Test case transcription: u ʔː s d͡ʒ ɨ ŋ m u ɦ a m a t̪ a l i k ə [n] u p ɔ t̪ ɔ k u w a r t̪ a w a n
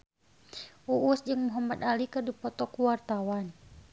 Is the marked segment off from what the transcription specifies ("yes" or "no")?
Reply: yes